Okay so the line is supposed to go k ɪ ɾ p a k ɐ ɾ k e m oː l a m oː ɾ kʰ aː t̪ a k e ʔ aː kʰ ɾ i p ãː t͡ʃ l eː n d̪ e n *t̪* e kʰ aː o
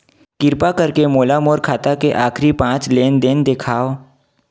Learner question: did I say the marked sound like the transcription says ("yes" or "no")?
no